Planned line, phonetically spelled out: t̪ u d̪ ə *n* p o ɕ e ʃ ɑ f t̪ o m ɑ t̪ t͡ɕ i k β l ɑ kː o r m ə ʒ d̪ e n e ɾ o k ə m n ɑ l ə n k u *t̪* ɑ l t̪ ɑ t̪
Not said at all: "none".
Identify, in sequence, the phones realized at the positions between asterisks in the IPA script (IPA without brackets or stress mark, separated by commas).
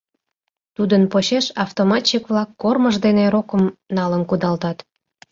n, d̪